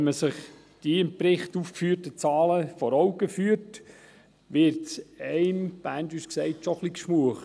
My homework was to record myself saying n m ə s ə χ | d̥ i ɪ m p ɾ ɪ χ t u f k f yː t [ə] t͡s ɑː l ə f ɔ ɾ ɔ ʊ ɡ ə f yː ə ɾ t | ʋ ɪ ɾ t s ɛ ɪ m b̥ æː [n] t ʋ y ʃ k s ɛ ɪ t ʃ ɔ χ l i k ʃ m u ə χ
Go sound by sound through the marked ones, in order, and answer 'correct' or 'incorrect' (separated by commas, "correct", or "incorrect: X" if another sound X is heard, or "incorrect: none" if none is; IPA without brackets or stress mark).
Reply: correct, correct